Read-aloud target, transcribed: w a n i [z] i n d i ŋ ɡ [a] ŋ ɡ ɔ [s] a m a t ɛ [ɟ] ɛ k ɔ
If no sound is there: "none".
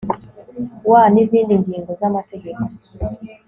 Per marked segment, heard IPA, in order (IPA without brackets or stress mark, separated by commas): z, i, z, ɡ